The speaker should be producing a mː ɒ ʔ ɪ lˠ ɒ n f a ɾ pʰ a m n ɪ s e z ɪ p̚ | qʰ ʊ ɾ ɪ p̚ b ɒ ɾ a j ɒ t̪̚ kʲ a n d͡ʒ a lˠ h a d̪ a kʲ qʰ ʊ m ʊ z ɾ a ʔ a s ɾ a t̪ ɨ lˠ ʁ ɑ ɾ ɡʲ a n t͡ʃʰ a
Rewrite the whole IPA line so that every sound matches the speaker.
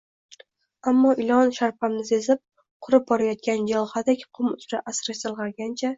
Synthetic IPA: a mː ɒ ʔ ɪ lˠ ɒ n ʃ a ɾ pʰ a m n ɪ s e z ɪ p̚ | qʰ ʊ ɾ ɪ p̚ b ɒ ɾ a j ɒ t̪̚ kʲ a n d͡ʒ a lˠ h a d̪ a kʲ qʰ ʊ m ʊ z ɾ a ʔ a s ɾ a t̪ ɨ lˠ ʁ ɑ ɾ ɡʲ a n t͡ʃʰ a